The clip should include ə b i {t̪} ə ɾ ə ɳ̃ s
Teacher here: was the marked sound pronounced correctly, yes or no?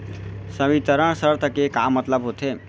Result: yes